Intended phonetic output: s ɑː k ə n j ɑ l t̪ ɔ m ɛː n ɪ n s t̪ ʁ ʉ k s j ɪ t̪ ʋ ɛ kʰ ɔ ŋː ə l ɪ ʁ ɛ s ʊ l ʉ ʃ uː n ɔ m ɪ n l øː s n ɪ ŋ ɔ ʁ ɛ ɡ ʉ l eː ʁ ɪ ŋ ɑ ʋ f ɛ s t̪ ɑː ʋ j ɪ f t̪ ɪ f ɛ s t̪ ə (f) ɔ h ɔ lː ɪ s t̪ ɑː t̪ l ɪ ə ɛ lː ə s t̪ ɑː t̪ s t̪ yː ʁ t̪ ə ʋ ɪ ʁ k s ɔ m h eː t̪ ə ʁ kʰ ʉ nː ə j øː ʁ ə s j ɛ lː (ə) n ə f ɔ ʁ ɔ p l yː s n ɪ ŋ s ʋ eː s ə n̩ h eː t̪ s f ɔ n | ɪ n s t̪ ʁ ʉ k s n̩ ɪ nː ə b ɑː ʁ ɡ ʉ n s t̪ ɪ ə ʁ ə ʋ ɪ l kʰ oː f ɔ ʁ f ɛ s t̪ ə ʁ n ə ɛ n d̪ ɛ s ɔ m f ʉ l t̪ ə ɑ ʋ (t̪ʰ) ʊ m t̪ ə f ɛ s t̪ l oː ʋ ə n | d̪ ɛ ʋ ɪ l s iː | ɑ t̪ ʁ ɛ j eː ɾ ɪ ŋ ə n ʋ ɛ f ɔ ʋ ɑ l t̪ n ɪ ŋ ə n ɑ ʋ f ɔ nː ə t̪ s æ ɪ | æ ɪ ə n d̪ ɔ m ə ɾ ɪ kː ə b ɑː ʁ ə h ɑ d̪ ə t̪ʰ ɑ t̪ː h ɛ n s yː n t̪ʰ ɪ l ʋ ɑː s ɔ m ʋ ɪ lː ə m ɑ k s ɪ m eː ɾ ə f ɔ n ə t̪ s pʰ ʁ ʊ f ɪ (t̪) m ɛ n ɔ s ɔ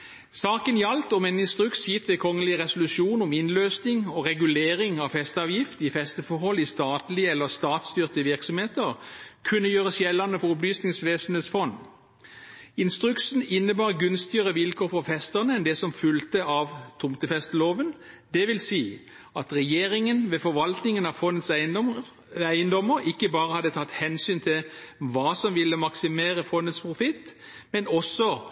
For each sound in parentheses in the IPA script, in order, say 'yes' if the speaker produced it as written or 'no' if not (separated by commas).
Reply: yes, no, yes, yes